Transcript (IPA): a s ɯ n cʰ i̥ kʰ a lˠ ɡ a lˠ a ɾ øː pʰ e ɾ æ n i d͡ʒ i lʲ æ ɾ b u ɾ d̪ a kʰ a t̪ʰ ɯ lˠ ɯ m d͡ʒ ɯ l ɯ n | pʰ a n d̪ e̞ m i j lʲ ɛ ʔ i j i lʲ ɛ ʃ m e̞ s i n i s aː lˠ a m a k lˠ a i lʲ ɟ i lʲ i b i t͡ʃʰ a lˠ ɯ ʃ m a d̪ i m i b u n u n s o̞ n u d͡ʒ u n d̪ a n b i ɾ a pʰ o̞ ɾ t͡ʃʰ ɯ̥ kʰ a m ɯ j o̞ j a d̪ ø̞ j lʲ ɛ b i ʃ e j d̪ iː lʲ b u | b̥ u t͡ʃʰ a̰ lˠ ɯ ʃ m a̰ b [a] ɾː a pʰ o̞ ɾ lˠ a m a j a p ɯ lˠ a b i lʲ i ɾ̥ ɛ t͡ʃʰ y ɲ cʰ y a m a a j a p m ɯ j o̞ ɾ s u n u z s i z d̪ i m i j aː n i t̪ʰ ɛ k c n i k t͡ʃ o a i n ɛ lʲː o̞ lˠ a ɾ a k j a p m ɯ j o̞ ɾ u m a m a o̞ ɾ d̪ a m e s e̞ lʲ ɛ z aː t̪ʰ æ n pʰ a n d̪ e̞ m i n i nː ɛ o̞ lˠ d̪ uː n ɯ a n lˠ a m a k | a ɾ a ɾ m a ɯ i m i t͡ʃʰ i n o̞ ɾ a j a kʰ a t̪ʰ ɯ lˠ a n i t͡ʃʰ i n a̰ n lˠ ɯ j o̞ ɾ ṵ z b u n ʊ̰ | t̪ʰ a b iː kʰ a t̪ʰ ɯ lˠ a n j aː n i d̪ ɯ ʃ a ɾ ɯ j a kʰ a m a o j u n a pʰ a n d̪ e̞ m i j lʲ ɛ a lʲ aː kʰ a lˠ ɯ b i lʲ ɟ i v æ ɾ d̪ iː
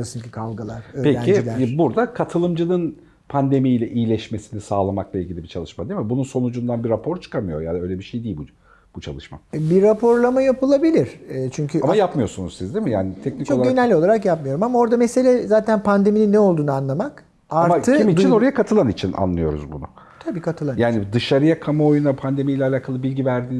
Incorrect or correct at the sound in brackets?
incorrect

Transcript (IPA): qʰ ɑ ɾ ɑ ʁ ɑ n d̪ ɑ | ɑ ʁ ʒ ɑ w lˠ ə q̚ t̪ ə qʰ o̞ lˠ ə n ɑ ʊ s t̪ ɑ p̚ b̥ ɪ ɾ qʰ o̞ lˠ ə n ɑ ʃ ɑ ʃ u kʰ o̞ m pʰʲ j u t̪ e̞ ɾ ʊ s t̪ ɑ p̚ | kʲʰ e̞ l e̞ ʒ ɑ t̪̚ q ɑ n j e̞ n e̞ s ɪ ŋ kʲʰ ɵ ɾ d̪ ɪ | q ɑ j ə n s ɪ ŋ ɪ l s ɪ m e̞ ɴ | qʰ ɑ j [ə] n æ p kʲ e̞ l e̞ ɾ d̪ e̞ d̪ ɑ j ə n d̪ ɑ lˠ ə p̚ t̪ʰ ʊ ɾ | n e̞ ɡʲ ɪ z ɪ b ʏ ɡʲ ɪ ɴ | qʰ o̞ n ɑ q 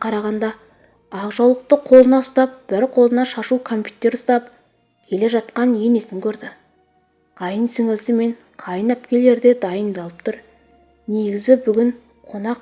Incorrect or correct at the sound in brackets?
correct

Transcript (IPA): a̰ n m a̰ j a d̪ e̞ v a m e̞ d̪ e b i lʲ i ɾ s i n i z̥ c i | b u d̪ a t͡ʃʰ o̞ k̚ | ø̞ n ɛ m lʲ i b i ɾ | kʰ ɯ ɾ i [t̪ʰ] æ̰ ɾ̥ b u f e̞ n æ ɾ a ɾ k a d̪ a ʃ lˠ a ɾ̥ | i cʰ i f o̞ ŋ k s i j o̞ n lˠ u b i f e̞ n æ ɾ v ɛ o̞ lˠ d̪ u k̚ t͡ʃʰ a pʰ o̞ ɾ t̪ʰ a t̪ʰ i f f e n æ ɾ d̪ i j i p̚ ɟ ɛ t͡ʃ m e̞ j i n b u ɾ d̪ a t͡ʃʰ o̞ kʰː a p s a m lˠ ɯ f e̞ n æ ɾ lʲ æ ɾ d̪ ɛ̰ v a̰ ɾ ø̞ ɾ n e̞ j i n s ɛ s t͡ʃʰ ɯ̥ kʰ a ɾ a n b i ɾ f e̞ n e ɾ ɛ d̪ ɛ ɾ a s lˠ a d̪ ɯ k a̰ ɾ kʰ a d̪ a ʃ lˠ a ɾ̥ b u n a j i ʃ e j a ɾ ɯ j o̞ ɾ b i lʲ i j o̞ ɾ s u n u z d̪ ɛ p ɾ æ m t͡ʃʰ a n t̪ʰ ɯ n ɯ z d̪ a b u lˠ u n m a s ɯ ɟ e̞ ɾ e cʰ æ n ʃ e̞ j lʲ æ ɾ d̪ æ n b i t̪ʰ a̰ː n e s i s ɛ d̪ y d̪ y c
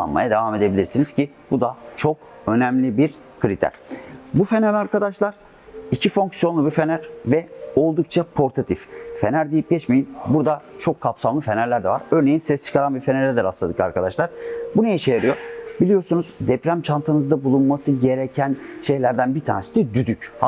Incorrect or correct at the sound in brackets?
correct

